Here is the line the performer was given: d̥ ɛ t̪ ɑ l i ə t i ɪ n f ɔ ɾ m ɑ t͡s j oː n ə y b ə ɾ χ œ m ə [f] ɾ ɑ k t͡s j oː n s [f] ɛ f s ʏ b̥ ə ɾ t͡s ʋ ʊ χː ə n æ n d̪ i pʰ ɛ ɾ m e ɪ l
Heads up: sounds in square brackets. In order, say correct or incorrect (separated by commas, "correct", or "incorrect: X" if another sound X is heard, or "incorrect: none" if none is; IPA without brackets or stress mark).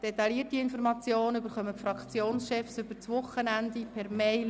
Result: correct, incorrect: ʃ